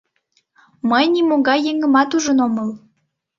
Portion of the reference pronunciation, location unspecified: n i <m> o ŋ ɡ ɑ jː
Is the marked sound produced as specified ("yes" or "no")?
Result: yes